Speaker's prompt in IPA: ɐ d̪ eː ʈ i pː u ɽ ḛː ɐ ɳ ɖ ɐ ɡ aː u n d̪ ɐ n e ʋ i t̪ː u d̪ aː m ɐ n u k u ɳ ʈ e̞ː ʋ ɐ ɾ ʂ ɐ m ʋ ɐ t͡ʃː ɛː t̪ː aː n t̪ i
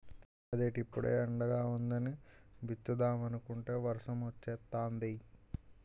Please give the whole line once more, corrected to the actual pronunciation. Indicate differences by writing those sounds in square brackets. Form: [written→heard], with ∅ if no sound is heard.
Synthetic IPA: ɐ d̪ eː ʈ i pː u ɽ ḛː ɐ ɳ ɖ ɐ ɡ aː u n d̪ ɐ n [e→i] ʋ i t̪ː u d̪ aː m ɐ n u k u ɳ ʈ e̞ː ʋ ɐ ɾ ʂ ɐ m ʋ ɐ t͡ʃː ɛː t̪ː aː n [t̪→d̪] i